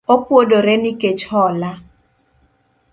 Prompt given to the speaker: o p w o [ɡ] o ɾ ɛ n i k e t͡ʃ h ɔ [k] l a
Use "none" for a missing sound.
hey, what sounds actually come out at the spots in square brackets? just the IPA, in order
d, none

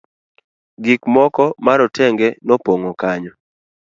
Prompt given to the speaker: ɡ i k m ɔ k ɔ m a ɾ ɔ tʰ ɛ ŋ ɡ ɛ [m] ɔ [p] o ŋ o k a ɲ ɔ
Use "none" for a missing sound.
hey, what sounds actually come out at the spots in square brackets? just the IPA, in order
n, p

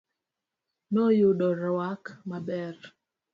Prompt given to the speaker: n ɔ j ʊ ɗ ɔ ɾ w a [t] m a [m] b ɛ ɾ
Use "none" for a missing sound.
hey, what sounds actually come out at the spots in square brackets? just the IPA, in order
k, none

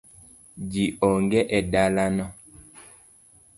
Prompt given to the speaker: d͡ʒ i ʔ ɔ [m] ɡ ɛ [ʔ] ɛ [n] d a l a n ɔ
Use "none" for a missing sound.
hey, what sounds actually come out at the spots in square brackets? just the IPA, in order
ŋ, ʔ, none

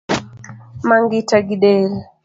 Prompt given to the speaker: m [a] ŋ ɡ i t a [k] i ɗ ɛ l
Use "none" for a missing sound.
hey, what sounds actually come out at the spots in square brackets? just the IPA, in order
a, ɡ

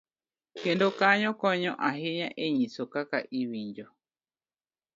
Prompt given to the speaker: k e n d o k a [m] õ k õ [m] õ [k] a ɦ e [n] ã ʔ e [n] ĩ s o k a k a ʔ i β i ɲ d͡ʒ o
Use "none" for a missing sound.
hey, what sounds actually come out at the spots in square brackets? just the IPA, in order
ɲ, ɲ, ʔ, ɲ, ɲ

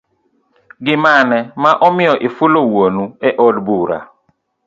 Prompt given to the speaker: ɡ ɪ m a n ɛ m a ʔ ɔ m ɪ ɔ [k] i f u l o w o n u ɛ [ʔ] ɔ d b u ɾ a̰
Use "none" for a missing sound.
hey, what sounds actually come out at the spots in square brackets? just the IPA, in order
ʔ, ʔ

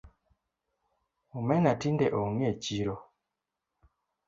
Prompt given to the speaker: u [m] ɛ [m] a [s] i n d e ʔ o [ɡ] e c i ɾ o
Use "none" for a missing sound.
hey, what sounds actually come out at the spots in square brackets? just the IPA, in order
m, n, t, ŋ

